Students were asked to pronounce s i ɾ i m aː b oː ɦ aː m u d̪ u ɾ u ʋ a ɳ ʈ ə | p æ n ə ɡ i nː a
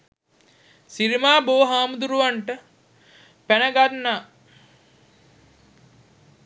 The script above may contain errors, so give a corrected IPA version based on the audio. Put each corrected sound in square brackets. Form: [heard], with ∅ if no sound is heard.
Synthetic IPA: s i ɾ i m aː b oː ɦ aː m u d̪ u ɾ u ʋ a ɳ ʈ ə | p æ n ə ɡ [a] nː a